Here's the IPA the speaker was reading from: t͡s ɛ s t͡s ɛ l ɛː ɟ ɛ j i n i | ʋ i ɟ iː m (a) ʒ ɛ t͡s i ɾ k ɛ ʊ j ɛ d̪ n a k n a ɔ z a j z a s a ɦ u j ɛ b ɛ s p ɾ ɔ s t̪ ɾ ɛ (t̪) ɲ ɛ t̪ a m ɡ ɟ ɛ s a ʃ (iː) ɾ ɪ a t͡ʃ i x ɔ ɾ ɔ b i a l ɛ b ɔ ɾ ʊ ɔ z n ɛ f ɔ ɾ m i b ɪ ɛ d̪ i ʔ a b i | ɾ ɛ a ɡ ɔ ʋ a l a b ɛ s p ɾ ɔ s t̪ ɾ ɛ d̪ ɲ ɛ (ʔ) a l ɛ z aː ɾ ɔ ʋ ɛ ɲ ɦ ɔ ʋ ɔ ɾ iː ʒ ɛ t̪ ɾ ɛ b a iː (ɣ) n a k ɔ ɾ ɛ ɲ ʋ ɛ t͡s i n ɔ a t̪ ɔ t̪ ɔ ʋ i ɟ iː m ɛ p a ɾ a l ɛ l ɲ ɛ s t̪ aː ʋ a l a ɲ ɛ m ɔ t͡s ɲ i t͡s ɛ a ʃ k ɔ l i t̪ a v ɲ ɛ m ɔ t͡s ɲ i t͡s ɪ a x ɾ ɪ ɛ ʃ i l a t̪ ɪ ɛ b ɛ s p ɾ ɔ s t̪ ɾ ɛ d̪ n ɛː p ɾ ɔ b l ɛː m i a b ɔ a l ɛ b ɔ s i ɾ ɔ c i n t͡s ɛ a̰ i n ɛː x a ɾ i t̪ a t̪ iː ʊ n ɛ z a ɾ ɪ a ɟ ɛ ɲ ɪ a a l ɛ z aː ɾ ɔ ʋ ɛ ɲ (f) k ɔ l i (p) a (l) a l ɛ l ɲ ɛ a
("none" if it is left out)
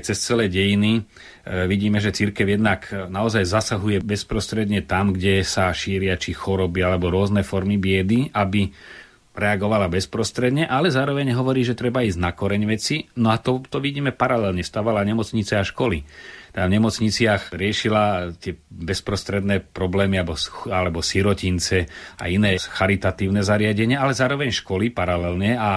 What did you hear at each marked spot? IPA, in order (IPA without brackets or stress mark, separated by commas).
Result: ɛ, d̪, iː, ʔ, z, ʃ, p, ɾ